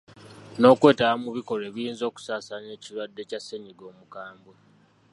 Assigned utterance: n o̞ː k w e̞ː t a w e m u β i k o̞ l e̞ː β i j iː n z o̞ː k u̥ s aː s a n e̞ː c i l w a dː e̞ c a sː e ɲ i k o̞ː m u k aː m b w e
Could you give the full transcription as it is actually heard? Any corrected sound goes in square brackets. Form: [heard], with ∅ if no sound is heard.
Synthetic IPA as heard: n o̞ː k w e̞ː t a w [a] m u β i k o̞ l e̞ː β i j iː n z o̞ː k u̥ s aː s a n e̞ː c i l w a dː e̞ c a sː e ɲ i [ɡ] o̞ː m u k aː m b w e

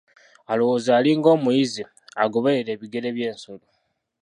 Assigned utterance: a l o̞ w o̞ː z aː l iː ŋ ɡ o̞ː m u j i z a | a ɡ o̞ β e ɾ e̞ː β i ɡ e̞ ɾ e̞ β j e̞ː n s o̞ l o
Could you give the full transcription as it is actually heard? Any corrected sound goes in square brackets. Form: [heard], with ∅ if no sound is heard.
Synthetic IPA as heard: a l o̞ w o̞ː z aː l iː ŋ ɡ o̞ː m u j i z [i] | a ɡ o̞ β e ɾ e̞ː β i ɡ e̞ ɾ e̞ β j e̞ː n s o̞ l o

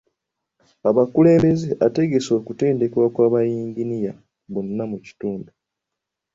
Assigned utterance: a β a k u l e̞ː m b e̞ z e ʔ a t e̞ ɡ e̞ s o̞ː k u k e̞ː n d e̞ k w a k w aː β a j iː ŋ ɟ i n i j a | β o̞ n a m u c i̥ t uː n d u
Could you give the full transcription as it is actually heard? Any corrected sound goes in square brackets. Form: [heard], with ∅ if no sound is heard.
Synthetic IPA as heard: a β a k u l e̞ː m b e̞ z e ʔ a t e̞ ɡ e̞ s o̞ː k u [t] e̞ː n d e̞ k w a k w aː β a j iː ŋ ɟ i n i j a | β o̞ [nː] a m u c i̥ t uː n d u

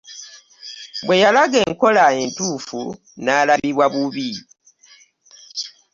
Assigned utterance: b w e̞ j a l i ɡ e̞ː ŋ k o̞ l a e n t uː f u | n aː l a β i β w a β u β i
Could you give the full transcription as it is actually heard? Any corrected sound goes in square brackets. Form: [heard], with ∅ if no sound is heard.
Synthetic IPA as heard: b w e̞ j a l [a] ɡ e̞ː ŋ k o̞ l a e n t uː f u | n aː l a β i β w a β u β i

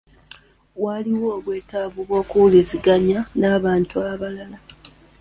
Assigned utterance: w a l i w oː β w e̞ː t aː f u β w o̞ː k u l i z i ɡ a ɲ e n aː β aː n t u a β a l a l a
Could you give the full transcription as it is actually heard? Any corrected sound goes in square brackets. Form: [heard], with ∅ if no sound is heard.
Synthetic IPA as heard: w a l i w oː β w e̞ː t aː [v] u β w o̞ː k u l i z i ɡ a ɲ [a] n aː β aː n t u a β a l a l a

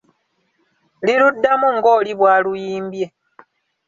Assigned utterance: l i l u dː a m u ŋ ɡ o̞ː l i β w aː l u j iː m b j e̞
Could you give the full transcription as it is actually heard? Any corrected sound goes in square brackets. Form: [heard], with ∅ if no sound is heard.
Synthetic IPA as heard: l i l u dː a m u ŋ ɡ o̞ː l i β w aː l u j iː m b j e̞

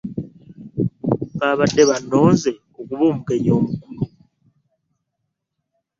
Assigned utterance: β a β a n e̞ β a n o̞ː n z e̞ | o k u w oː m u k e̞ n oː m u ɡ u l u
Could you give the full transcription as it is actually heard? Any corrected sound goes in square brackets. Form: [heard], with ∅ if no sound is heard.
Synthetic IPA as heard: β a β a [d] e̞ β a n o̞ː n z e̞ | o k u [β] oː m u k e̞ [ɲ] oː m u [k] u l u

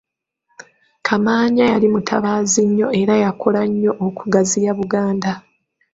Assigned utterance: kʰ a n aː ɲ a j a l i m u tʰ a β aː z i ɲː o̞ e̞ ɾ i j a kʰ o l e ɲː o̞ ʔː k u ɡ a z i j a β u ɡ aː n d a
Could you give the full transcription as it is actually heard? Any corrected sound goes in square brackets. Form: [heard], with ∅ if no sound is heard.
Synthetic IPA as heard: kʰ a [m] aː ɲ a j a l i m u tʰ a β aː z i ɲː o̞ e̞ ɾ [a] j a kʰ o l [a] ɲː o̞ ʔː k u ɡ a z i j a β u ɡ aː n d a

